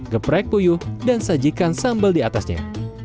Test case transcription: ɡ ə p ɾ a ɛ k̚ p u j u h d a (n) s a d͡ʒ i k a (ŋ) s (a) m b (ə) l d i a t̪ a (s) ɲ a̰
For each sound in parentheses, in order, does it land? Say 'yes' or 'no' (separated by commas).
yes, no, yes, yes, yes